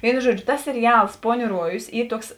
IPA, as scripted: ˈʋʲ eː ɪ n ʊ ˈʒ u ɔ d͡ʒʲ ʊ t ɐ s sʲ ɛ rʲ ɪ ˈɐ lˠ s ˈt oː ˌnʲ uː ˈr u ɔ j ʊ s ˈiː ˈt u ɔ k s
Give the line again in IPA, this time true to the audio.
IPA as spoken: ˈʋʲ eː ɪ n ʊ ˈʒ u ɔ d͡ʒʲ ʊ t ɐ s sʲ ɛ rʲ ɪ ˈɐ lˠ s ˈp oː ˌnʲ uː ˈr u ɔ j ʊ s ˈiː ˈt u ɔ k s

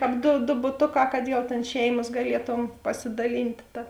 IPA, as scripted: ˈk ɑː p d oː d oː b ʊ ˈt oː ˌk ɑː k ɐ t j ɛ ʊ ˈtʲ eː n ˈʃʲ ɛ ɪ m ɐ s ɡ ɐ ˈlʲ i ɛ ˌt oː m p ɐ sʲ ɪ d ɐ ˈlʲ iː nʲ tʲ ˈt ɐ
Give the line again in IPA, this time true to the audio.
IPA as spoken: ˈk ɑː p d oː d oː b ʊ ˈt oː ˌk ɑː k ɐ t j ɛ ʊ ˈtʲ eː n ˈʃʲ ɛ ɪ m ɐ s ɡ ɐ ˈlʲ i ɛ ˌt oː m p ɐ sʲ ɪ d ɐ ˈlʲ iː nʲ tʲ ˈt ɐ

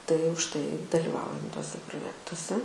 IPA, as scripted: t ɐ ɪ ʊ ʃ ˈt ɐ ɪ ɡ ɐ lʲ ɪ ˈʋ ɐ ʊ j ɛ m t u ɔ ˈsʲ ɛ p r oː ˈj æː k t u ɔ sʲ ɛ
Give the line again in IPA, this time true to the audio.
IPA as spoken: t ɐ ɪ ʊ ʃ ˈt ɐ ɪ d ɐ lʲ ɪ ˈʋ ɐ ʊ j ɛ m t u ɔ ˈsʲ ɛ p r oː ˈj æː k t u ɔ sʲ ɛ

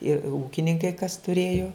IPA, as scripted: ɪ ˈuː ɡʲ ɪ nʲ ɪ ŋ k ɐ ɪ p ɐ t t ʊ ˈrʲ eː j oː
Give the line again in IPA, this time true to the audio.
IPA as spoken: ɪ ˈuː kʲ ɪ nʲ ɪ ŋ k ɐ ɪ k ɐ s t ʊ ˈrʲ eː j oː

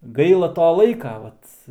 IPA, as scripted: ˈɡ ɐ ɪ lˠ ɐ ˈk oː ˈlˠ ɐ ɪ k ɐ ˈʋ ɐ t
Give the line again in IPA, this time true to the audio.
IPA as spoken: ˈɡ ɐ ɪ lˠ ɐ ˈt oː ˈlˠ ɐ ɪ k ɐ ˈʋ ɐ t

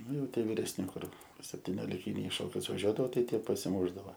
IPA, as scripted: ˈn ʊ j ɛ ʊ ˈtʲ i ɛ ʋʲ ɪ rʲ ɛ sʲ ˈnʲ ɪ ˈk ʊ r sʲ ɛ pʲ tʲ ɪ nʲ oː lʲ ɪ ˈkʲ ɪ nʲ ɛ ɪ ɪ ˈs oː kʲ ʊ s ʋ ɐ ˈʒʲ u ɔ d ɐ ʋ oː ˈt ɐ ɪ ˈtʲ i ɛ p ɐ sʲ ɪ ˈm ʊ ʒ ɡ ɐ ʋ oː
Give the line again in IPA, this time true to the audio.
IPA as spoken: ˈn ʊ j ɛ ʊ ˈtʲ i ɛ ʋʲ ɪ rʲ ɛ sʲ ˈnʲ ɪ ˈk ʊ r sʲ ɛ pʲ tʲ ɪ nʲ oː lʲ ɪ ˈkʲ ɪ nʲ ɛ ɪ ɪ ˈʃ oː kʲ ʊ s ʋ ɐ ˈʒʲ u ɔ d ɐ ʋ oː ˈt ɐ ɪ ˈtʲ i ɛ p ɐ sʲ ɪ ˈm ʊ ʒ d ɐ ʋ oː

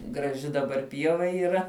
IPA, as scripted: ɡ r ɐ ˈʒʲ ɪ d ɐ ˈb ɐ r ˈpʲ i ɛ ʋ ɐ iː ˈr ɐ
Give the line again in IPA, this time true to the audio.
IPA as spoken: ɡ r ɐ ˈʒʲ ɪ d ɐ ˈb ɐ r ˈpʲ i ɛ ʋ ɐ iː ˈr ɐ

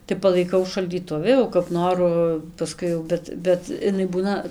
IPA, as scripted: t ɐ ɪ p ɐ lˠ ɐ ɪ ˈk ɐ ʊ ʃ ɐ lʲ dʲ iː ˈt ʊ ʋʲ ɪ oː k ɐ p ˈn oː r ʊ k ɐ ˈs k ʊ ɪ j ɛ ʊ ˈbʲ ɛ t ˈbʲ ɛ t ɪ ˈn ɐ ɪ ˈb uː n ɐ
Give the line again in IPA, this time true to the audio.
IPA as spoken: t ɐ ɪ p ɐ lˠ ɐ ɪ ˈk ɐ ʊ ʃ ɐ lʲ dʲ iː ˈt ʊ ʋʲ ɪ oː k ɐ p ˈn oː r ʊ p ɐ ˈs k ʊ ɪ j ɛ ʊ ˈbʲ ɛ t ˈbʲ ɛ t ɪ ˈn ɐ ɪ ˈb uː n ɐ

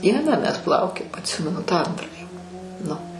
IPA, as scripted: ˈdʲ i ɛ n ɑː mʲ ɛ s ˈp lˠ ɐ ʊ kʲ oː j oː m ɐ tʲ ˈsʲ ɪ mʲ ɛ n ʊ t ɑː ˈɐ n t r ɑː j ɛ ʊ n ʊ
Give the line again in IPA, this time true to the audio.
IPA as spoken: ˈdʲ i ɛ n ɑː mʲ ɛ s ˈp lˠ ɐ ʊ kʲ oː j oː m ɐ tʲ ˈsʲ ɪ mʲ ɛ n ʊ t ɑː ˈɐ n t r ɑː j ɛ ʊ n ʊ

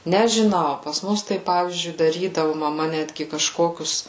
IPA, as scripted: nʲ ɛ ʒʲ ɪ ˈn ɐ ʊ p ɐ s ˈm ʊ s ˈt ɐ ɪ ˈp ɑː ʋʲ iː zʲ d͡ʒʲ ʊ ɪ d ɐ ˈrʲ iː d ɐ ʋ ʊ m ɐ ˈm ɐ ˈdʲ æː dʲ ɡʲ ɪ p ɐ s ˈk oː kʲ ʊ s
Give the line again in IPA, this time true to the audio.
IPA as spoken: nʲ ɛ ʒʲ ɪ ˈn ɐ ʊ p ɐ s ˈm ʊ s ˈt ɐ ɪ ˈp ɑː ʋʲ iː zʲ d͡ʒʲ ʊ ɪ d ɐ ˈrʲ iː d ɐ ʋ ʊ m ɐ ˈm ɐ ˈnʲ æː dʲ ɡʲ ɪ k ɐ ʃ ˈk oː kʲ ʊ s

